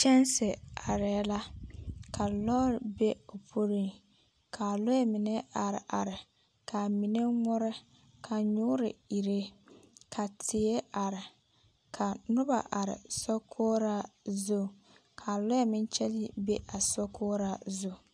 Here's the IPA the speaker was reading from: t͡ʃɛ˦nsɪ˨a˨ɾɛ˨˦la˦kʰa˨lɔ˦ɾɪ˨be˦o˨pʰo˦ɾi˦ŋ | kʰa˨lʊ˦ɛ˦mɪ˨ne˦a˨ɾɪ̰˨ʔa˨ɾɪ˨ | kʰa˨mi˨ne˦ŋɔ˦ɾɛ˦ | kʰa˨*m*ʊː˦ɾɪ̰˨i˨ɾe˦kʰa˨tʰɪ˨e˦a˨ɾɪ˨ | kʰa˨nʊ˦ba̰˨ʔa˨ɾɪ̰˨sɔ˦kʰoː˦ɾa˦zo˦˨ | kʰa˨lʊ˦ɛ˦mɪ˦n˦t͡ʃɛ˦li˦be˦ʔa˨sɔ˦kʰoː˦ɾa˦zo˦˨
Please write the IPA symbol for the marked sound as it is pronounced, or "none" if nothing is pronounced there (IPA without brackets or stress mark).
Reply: ɲ